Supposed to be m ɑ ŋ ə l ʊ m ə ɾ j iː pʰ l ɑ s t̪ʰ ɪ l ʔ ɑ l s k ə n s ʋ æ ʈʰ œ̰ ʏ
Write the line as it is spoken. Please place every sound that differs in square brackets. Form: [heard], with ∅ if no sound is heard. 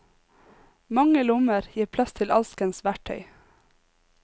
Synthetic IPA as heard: m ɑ ŋ ə l ʊ m ə ɾ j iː pʰ l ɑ s t̪ʰ ɪ l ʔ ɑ l s k ə n s ʋ æ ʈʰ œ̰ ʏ